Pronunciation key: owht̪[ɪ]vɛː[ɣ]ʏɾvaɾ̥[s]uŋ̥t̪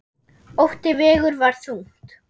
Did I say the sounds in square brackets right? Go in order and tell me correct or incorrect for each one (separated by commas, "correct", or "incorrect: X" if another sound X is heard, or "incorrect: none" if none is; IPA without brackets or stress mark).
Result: correct, correct, incorrect: θ